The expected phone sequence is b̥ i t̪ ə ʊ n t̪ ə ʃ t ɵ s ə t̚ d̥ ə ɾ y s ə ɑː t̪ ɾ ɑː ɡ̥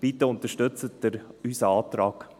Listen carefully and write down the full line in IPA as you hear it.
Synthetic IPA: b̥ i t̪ ə ʊ n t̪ ə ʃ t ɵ t͡s ə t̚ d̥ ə ɾ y s ə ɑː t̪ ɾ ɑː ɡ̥